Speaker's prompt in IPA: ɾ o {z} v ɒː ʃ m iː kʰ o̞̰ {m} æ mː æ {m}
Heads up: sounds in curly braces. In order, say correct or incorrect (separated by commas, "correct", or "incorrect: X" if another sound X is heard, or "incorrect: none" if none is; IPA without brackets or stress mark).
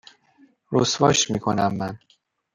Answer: incorrect: s, incorrect: n, incorrect: n